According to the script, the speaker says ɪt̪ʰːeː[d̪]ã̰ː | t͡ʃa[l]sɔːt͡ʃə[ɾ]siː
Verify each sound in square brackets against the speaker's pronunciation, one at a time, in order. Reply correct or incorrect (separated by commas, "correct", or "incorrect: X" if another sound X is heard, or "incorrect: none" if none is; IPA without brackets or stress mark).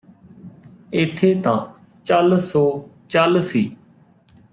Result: incorrect: t̪, correct, incorrect: l